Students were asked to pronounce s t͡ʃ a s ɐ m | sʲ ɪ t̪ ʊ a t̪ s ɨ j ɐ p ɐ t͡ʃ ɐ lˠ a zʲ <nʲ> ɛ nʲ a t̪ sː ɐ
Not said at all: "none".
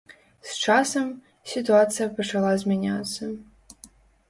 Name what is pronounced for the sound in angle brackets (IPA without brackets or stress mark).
mʲ